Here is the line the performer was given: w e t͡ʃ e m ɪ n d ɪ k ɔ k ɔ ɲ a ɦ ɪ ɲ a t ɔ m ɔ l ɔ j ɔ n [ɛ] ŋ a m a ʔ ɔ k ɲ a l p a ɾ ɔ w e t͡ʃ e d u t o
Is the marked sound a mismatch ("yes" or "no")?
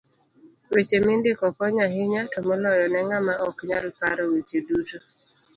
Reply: no